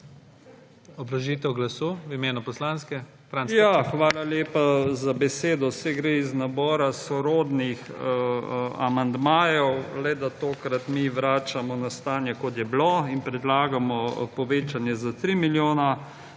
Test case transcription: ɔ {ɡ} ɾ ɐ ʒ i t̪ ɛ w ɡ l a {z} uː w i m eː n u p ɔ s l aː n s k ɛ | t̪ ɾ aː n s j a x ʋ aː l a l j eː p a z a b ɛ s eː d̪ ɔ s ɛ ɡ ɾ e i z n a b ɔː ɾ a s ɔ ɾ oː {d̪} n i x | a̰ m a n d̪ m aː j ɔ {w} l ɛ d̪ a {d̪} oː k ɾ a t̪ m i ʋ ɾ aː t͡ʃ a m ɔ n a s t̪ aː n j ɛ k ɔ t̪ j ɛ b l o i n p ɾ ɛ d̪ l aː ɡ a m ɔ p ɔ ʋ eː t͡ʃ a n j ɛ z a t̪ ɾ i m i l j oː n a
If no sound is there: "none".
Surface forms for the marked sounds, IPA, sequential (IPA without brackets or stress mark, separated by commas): b, s, d̪, w, t̪